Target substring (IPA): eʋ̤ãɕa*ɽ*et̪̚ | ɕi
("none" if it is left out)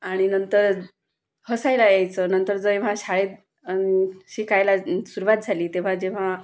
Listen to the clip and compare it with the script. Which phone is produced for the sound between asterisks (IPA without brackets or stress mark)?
ɭ